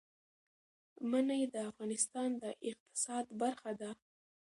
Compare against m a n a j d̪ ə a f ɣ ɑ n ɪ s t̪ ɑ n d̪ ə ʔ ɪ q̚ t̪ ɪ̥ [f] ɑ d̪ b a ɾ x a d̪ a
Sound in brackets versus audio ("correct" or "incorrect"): incorrect